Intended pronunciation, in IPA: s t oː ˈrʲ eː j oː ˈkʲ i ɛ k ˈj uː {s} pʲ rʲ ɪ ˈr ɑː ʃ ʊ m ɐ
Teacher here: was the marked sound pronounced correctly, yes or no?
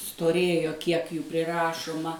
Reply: no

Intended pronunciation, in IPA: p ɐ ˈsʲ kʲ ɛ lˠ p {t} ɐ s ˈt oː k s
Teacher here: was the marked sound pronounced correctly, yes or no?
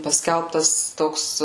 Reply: yes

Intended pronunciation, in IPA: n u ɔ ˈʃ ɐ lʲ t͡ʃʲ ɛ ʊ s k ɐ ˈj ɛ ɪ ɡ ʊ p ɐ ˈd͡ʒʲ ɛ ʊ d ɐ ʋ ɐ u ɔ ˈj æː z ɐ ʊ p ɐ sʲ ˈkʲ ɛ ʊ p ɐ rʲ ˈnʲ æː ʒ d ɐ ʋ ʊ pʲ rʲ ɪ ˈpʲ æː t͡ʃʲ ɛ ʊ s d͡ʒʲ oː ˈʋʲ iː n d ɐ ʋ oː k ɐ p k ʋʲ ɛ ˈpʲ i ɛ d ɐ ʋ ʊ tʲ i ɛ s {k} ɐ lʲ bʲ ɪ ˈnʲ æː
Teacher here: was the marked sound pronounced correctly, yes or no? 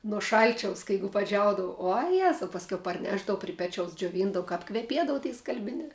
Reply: yes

